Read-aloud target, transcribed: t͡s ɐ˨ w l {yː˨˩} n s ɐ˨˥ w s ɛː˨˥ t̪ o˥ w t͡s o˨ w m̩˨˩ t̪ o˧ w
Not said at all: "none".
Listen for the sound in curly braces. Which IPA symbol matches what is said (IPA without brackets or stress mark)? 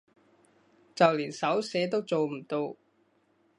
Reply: iː˨˩